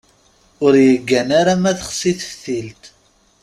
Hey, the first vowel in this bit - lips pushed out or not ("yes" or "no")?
yes